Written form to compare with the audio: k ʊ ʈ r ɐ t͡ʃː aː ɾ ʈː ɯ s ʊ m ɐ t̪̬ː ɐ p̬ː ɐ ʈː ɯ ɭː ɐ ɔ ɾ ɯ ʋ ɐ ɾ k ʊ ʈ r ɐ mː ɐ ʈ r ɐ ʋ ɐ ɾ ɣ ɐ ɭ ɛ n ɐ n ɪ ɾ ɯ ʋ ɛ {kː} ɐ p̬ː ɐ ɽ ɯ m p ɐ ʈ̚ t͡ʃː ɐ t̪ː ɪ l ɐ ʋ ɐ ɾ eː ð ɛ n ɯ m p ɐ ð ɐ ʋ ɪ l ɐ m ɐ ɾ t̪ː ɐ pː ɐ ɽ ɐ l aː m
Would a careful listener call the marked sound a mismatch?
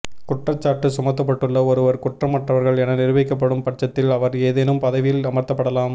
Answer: no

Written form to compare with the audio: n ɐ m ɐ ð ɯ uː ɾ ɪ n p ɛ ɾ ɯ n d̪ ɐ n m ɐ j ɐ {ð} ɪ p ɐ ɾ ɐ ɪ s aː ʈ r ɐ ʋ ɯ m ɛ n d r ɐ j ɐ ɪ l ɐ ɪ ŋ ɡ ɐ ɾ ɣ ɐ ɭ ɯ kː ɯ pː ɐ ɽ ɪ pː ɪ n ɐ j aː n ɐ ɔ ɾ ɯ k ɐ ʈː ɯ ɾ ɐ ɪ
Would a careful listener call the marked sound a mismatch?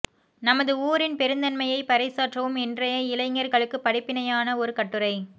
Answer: yes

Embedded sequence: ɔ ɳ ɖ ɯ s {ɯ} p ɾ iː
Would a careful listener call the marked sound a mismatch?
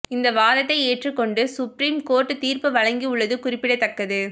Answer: yes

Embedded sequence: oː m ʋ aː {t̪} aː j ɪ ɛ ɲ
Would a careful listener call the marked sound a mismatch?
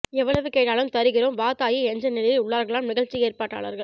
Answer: no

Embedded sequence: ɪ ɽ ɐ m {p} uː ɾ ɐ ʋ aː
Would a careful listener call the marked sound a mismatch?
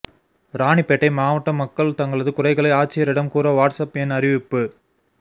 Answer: yes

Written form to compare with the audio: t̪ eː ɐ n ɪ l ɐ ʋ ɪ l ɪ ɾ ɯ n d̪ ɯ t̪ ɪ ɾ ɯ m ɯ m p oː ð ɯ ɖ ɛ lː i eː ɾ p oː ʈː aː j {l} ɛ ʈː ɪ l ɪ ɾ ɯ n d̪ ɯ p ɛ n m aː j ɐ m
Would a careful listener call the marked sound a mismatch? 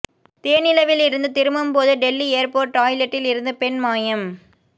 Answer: no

